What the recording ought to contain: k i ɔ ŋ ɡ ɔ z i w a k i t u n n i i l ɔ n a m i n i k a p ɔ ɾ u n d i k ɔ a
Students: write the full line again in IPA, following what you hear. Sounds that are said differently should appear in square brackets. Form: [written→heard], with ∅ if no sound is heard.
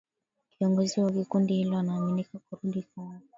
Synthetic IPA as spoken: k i ɔ ŋ ɡ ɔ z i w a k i [t→k] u n [n→d] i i l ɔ n a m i n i k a [p→k] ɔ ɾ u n d i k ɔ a

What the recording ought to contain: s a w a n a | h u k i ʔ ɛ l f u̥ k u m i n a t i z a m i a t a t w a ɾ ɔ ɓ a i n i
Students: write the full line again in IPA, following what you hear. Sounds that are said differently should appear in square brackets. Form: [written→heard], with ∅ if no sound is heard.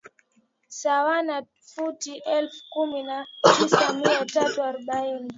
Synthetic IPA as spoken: s a w a n a | [h→f] u [k→t] i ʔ ɛ l f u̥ k u m i n a t i [z→s] a m i a t a t [w→u] a ɾ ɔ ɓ a i n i

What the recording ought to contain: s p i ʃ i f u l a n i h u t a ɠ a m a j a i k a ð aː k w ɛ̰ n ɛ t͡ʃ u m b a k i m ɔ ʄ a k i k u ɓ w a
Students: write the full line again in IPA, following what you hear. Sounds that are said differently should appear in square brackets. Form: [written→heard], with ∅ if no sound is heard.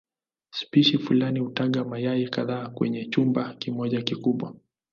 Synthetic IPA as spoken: s p i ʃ i f u l a n i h u t a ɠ a m a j a i k a ð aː k w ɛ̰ [n→ɲ] ɛ t͡ʃ u m b a k i m ɔ ʄ a k i k u ɓ w a

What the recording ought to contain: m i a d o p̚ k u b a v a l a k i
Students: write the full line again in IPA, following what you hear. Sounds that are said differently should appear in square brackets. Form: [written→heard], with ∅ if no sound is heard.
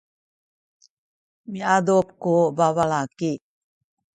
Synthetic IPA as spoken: m i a d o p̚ k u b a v a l a k i

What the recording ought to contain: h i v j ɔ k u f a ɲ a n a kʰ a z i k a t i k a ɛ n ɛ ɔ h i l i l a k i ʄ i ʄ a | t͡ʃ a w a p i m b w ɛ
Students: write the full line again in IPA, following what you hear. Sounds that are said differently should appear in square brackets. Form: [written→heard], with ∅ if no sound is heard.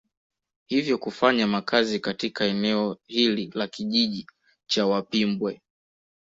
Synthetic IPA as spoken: h i v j ɔ k u f a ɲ a [n→m] a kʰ a z i k a t i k a ɛ n ɛ ɔ h i l i l a k i ʄ i ʄ [a→i] | t͡ʃ a w a p i m b w ɛ

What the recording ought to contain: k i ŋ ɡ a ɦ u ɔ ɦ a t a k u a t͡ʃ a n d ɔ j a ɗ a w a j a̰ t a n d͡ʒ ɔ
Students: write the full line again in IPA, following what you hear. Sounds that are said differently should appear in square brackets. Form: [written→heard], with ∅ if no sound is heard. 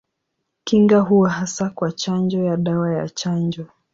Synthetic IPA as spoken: k i ŋ ɡ a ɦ u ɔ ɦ a [t→s] a k [u→w] a t͡ʃ a n [d→d͡ʒ] ɔ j a ɗ a w a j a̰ [t→t͡ʃ] a n d͡ʒ ɔ

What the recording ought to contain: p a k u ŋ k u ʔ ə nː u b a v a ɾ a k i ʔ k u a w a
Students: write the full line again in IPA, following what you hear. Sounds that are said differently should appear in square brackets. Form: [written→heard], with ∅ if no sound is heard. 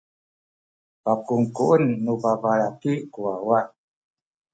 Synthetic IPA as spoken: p a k u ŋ k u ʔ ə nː u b a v a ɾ a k i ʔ k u a w a

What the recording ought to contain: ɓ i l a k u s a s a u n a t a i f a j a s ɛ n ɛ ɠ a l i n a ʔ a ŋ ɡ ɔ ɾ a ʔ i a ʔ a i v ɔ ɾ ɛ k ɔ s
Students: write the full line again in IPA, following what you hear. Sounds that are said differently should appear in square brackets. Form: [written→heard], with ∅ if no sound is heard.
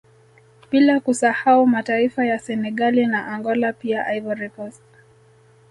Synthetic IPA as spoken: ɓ i l a k u s a [s→h] a u [n→m] a t a i f a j a s ɛ n ɛ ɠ a l i n a ʔ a ŋ ɡ ɔ [ɾ→l] a [ʔ→p] i a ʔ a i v ɔ ɾ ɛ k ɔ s

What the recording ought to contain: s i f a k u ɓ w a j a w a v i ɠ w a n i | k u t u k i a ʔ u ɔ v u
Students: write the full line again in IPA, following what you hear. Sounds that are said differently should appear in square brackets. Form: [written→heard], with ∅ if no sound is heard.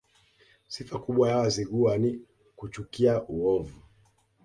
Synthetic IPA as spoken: s i f a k u ɓ w a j a w a [v→z] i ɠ [w→u] a n i | k u [t→t͡ʃ] u k i a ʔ u ɔ v u

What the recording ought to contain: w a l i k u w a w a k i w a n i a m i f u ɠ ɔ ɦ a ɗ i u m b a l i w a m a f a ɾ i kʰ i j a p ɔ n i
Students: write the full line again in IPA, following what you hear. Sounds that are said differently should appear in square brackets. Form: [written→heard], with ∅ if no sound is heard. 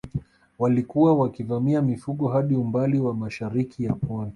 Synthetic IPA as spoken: w a l i k u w a w a k i [w→v] a [n→m] i a m i f u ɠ ɔ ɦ a ɗ i u m b a l i w a m a [f→ʃ] a ɾ i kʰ i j a p ɔ n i

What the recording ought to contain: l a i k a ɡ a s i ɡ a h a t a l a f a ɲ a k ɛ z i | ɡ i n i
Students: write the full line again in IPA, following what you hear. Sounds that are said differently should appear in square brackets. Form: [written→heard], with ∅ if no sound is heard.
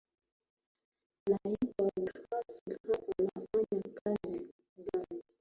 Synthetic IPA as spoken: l a i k a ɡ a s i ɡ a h a [t→s] a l a f a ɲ a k [ɛ→a] z i | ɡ [i→a] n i

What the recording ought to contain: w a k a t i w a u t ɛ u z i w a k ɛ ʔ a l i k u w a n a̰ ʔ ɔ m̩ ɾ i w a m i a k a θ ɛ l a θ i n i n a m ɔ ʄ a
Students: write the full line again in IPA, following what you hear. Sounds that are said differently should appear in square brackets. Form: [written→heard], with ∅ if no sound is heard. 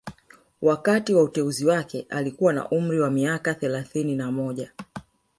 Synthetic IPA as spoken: w a k a t i w a u t ɛ u z i w a k ɛ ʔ a l i k u w a n a̰ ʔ [ɔ→u] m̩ ɾ i w a m i a k a θ ɛ l a θ i n i n a m ɔ ʄ a

